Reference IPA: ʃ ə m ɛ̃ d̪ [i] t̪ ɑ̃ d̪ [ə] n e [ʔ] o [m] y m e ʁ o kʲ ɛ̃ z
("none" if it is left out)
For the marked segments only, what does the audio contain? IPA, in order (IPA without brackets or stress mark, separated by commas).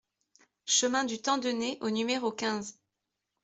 y, ə, ʔ, n